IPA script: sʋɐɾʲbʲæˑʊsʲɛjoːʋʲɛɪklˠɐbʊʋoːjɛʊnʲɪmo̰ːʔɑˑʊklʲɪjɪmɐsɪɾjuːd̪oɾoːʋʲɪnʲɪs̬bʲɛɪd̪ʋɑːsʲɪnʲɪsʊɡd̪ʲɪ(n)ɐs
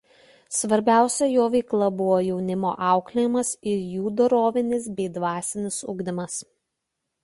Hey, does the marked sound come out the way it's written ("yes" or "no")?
no